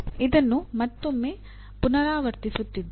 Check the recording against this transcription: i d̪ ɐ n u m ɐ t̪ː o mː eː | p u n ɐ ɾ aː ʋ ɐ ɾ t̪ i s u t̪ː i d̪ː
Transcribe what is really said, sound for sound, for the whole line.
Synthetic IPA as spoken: i d̪ ɐ nː u m ɐ t̪ː o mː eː | p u n ɐ ɾ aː ʋ ɐ ɾ t̪ i s u t̪ː i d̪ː